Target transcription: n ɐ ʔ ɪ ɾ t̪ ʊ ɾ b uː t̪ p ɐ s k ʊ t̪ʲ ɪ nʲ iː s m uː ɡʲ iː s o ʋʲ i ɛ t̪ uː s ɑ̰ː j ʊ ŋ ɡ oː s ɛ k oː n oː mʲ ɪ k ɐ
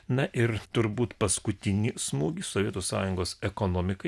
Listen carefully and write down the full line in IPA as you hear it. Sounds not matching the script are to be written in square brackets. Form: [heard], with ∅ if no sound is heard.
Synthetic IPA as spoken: n ɐ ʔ ɪ ɾ t̪ ʊ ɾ b uː t̪ p ɐ s k ʊ t̪ʲ ɪ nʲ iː s m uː ɡʲ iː s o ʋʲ i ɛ t̪ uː s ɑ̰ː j ʊ ŋ ɡ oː s ɛ k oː n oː mʲ ɪ k ɐ

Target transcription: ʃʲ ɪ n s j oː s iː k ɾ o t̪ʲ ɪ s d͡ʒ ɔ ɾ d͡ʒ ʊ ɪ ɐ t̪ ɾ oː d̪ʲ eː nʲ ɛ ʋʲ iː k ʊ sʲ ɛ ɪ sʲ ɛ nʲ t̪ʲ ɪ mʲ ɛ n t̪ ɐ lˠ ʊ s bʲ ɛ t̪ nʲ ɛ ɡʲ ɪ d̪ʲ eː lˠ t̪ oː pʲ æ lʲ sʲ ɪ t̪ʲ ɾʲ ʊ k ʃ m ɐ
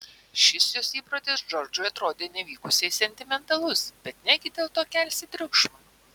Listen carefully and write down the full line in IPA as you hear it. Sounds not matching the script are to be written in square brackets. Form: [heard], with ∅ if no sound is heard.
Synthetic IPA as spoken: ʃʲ ɪ [∅] s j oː s iː [p] ɾ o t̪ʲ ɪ s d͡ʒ ɔ ɾ d͡ʒ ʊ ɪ ɐ t̪ ɾ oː d̪ʲ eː nʲ ɛ ʋʲ iː k ʊ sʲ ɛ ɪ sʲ ɛ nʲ t̪ʲ ɪ mʲ ɛ n t̪ ɐ lˠ ʊ s bʲ ɛ t̪ nʲ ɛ ɡʲ ɪ d̪ʲ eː lˠ t̪ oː [kʲ] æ lʲ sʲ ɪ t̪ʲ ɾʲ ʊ k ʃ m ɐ

